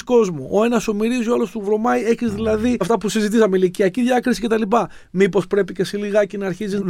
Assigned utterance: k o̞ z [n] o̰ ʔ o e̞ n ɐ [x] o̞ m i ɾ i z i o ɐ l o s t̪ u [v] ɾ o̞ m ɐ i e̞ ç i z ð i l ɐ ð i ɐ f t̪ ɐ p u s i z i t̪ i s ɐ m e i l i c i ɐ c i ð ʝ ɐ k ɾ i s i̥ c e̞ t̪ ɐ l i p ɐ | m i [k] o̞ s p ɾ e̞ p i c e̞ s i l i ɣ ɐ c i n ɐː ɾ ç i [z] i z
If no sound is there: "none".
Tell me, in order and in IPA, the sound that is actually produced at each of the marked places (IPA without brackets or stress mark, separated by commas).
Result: m, s, v, p, z